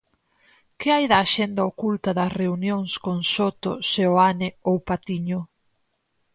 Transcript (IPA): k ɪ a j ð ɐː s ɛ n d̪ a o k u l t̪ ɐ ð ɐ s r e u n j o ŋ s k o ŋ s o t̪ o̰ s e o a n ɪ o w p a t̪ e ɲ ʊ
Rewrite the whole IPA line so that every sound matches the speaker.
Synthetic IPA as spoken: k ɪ a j ð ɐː ʃ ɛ n d̪ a o k u l t̪ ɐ ð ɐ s r e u n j o ŋ s k o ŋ s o t̪ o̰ s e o a n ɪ o w p a t̪ i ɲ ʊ